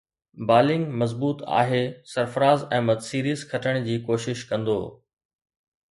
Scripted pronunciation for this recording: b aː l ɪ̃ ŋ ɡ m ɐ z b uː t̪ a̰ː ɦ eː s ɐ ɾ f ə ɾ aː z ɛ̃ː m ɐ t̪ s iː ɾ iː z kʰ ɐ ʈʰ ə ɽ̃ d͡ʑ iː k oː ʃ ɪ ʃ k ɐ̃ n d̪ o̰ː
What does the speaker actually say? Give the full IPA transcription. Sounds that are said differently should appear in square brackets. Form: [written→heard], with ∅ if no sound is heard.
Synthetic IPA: b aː l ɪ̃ ŋ ɡ m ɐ z b uː t̪ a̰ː ɦ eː s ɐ ɾ f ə ɾ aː z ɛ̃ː m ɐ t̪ s iː ɾ iː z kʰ ɐ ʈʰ ə ɽ̃ d͡ʑ iː k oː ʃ ɪ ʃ k ɐ̃ n d̪ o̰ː